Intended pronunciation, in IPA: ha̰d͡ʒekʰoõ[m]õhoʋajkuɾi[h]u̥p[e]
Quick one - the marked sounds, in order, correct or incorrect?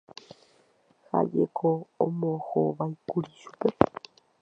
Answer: correct, incorrect: ʃ, correct

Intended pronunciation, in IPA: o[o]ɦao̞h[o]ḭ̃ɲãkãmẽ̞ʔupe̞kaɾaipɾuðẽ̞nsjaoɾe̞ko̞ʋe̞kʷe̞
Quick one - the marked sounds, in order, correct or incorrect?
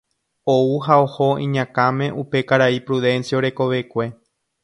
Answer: incorrect: u, correct

